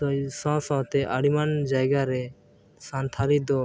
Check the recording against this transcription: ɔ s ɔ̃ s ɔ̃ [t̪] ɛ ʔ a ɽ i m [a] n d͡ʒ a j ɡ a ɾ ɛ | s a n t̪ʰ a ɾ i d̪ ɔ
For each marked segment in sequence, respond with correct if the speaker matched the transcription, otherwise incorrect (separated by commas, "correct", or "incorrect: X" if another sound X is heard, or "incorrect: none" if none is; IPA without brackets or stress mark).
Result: correct, correct